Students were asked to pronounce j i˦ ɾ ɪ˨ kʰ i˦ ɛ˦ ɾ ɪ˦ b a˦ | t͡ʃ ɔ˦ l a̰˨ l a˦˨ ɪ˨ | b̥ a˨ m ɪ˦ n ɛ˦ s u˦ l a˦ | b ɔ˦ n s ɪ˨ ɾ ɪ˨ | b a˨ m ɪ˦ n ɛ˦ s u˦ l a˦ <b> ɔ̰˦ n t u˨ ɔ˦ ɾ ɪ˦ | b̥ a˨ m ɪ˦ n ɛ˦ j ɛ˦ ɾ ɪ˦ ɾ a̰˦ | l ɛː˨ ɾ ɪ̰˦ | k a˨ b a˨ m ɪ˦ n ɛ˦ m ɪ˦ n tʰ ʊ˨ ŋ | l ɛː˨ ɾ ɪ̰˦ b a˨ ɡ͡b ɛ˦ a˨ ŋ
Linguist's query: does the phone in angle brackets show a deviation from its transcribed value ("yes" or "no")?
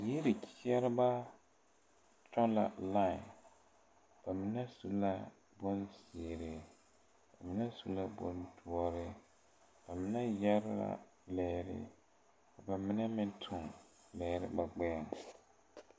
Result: no